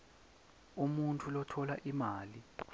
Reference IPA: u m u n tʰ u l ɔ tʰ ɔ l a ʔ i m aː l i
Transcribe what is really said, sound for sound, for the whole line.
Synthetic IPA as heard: u m u n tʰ u l ɔ tʰ ɔ l a ʔ i m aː l i